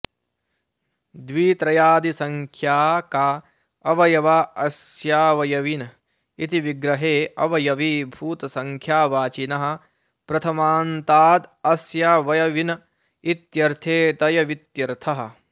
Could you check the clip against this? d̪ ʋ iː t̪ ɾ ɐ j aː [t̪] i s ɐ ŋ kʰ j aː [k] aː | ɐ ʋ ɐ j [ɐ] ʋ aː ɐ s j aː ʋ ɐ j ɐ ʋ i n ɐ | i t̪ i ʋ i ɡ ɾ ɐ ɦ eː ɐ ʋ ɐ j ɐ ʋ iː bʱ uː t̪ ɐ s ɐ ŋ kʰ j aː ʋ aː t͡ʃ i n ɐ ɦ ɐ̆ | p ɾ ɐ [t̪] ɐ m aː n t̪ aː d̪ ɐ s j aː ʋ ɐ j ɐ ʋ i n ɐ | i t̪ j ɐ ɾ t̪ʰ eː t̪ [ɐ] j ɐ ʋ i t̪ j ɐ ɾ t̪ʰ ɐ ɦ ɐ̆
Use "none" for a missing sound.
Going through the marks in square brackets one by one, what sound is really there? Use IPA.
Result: d̪, k, ɐ, t̪ʰ, ɐ

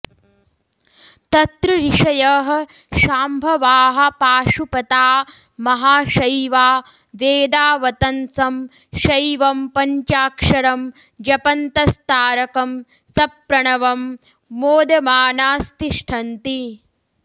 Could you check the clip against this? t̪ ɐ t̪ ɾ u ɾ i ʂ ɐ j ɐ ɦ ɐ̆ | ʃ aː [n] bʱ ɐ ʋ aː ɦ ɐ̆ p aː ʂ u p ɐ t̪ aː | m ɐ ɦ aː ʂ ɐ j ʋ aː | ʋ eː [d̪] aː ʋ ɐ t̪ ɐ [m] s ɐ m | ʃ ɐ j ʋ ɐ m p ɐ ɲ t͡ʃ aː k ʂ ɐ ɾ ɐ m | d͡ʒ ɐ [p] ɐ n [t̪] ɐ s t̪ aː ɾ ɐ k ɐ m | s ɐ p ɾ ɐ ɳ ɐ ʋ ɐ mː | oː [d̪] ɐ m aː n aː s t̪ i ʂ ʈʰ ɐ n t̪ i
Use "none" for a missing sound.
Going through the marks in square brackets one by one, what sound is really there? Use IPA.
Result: m, d̪, n, p, t̪, d̪

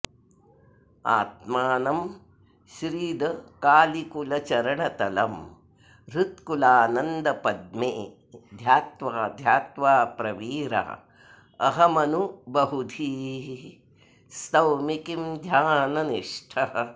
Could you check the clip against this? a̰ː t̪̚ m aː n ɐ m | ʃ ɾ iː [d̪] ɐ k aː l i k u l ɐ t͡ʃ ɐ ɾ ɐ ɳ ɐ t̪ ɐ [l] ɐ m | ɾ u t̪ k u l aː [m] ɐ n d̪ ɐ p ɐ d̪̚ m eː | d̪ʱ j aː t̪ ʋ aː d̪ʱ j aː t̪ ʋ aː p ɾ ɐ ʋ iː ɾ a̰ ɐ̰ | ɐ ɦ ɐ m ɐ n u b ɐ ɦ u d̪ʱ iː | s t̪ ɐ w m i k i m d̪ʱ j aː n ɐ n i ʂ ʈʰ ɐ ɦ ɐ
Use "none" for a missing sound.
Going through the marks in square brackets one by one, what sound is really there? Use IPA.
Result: d̪, l, n

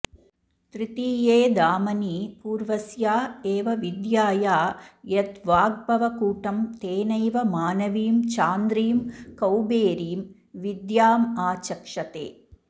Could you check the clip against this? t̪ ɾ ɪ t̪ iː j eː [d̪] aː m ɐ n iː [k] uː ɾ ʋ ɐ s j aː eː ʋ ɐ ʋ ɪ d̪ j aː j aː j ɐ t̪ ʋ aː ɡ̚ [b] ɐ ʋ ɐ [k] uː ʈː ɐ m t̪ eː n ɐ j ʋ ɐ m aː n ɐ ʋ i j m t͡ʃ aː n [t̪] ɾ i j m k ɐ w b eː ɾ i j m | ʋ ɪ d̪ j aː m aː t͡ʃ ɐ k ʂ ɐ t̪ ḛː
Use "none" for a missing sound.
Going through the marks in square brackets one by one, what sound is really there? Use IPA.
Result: d̪, p, b, k, d̪

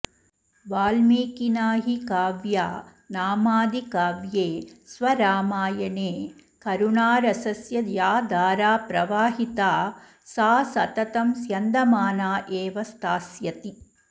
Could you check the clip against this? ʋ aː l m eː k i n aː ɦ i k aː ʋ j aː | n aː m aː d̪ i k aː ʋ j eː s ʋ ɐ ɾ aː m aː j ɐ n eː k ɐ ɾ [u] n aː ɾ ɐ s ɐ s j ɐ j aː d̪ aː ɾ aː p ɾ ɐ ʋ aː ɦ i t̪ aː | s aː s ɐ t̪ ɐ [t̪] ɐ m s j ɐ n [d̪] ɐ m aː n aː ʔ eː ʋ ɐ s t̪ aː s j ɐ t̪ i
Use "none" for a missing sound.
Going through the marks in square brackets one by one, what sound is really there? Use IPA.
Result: u, t̪, d̪

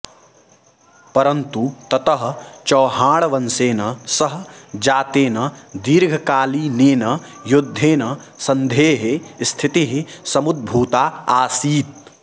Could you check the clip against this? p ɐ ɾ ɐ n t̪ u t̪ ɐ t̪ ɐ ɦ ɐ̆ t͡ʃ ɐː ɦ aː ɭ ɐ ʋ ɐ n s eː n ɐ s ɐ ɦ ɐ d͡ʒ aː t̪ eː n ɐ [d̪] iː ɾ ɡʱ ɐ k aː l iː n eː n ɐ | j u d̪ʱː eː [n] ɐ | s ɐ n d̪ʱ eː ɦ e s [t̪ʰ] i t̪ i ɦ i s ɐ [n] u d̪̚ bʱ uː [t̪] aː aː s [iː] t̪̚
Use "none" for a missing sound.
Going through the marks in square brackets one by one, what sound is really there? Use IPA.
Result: d̪, n, t̪ʰ, m, t̪, iː

